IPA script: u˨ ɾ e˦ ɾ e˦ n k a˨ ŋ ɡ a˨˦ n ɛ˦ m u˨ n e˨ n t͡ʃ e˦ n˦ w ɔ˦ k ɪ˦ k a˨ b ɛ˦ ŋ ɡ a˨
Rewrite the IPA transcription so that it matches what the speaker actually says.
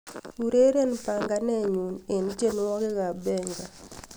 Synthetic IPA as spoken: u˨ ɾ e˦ ɾ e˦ n p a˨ ŋ ɡ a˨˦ n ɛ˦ ɲ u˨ n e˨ n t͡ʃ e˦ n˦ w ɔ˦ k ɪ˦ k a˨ b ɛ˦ ŋ ɡ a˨

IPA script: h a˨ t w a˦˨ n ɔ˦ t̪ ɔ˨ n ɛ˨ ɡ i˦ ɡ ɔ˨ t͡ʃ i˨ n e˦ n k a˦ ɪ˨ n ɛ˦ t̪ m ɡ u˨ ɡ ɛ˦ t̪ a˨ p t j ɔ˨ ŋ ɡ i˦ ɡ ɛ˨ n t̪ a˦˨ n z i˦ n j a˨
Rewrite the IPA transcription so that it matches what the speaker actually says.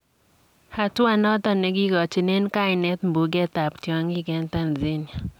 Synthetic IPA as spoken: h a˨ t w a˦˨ n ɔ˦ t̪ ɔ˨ n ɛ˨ ɡ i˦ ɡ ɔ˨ t͡ʃ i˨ n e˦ n k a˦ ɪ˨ n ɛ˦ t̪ m b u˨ ɡ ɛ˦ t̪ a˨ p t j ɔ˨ ŋ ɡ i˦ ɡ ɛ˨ n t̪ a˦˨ n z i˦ n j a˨

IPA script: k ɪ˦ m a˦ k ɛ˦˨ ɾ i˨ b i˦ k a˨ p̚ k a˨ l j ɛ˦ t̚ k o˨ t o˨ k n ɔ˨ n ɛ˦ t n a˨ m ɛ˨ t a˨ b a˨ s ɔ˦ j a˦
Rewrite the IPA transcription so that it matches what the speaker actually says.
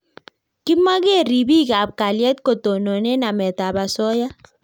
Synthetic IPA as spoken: k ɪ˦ m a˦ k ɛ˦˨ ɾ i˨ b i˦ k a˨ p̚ k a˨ l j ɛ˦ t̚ k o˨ t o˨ n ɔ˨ n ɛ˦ n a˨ m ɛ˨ t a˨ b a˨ s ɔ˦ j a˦

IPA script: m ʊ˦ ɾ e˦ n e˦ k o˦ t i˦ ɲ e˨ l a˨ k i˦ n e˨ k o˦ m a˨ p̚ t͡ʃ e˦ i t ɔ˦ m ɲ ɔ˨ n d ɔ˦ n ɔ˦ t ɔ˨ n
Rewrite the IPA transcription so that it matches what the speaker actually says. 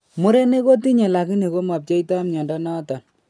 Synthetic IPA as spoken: m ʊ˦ ɾ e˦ n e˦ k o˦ t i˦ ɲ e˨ l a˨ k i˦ n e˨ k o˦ m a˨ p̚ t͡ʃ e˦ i t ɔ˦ m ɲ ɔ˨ n d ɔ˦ n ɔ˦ t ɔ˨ n

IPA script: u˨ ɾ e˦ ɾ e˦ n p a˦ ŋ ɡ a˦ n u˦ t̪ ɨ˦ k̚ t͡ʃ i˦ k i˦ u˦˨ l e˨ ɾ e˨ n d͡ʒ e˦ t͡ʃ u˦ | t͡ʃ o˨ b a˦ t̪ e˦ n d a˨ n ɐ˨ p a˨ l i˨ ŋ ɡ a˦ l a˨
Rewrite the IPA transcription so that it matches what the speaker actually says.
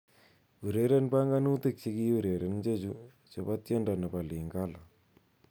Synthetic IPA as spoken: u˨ ɾ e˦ ɾ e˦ n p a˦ ŋ ɡ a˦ n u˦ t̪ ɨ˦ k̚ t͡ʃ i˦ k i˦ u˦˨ ɾ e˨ ɾ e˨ n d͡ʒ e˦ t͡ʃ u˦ | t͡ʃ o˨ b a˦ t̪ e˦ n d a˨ n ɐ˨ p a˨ l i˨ ŋ ɡ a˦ l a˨

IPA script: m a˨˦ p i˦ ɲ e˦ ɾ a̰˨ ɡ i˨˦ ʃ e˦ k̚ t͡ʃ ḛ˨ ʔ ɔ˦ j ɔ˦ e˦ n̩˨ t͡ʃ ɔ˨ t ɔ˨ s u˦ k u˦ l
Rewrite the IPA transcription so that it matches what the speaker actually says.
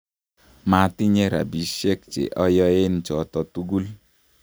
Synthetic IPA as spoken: m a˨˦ t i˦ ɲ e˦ ɾ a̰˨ b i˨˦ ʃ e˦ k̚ t͡ʃ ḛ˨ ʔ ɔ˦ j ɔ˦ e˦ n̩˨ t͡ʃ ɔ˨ t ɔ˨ t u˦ ɡ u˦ l

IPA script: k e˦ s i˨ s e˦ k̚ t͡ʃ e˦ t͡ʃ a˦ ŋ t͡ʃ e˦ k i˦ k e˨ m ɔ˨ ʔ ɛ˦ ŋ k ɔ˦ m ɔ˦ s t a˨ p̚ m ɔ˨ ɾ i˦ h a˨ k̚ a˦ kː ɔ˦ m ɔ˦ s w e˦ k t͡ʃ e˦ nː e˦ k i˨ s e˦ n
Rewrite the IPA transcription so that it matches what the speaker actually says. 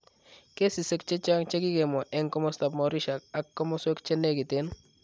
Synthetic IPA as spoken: k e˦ s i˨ s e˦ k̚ t͡ʃ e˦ t͡ʃ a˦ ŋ t͡ʃ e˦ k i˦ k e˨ m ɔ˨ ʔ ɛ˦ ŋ k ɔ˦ m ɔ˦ s t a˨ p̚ m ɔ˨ ɾ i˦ ʃ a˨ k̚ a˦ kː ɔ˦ m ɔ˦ s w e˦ k t͡ʃ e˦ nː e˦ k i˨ t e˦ n

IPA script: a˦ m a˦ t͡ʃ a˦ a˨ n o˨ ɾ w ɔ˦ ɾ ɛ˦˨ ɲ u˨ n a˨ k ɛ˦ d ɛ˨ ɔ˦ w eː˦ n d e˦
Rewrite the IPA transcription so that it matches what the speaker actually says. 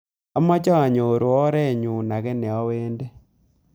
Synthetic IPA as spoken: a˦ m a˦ t͡ʃ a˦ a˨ ɲ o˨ ɾ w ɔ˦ ɾ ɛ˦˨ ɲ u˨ n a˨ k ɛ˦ n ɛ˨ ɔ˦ w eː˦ n d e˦

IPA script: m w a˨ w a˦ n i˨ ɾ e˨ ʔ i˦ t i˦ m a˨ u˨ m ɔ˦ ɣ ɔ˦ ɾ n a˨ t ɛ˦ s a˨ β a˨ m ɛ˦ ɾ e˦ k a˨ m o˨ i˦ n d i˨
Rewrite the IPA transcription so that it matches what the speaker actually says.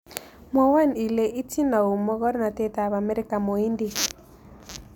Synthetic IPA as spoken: m w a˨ w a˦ n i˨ l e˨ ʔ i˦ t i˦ n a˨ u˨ m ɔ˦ ɣ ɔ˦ ɾ n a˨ t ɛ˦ t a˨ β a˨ m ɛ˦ ɾ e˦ k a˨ m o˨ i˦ n d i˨

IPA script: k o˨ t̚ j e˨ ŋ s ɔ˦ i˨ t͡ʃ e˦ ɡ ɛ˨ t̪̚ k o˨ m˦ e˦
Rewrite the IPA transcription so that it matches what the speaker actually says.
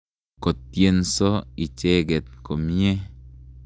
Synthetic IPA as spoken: k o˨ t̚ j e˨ n s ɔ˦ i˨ t͡ʃ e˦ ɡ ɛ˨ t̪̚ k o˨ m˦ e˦

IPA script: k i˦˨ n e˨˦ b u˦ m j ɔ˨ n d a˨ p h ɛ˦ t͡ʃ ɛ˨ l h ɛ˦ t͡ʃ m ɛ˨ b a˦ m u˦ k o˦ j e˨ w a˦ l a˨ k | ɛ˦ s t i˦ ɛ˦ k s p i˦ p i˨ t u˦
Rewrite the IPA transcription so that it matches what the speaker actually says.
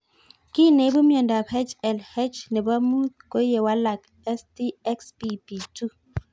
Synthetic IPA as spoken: k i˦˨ n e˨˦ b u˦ m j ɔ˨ n d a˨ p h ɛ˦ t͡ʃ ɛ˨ l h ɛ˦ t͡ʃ n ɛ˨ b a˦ m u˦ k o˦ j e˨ w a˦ l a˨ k | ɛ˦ s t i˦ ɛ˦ k s p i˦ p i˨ t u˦

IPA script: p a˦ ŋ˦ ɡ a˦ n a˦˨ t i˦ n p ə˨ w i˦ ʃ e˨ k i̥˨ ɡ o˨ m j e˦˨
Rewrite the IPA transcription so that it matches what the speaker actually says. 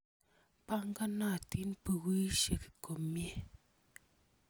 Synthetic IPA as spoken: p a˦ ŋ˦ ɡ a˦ n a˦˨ t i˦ n p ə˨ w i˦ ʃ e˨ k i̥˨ k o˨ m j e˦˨

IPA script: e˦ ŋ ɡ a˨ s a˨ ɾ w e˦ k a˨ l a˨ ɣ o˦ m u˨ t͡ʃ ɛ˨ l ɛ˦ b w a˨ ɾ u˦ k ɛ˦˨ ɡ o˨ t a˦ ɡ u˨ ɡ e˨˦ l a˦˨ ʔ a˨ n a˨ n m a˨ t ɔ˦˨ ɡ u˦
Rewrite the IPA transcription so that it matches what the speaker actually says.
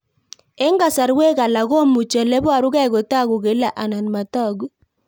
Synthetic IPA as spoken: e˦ ŋ ɡ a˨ s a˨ ɾ w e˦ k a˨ l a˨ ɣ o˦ m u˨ t͡ʃ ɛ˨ l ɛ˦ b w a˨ ɾ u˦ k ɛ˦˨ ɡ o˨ t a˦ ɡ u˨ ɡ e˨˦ l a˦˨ ʔ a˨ n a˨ n m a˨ t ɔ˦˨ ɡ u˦

